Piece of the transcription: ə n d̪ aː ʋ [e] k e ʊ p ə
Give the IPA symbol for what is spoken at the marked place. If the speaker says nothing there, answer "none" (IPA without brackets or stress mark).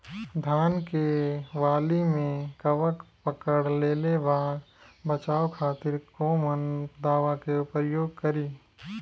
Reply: a